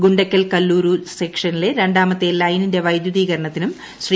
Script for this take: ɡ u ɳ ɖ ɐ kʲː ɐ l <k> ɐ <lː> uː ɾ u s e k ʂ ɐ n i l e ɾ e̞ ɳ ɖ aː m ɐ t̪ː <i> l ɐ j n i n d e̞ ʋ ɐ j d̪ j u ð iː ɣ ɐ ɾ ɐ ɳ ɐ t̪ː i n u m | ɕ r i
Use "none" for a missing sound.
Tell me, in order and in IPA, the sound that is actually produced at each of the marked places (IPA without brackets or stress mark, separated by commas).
k, lː, e